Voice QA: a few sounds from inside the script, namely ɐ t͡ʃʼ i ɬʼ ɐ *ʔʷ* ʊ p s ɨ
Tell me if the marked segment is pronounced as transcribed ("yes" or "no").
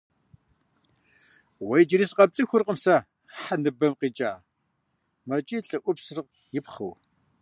yes